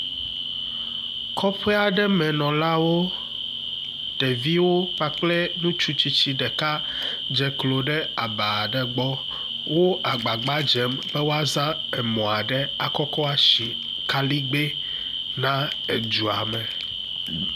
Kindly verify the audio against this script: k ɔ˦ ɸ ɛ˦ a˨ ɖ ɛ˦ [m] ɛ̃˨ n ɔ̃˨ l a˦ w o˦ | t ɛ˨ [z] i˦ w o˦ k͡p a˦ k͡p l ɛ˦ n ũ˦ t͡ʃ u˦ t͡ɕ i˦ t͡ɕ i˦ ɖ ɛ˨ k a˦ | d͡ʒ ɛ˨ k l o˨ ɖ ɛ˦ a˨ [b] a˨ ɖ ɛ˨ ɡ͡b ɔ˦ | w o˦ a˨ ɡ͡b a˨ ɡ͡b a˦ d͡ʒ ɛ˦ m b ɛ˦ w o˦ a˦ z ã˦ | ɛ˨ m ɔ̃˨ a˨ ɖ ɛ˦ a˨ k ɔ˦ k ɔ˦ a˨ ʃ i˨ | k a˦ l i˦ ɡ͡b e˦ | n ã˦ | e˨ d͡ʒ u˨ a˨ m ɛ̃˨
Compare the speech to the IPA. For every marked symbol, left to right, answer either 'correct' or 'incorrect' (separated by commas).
correct, incorrect, correct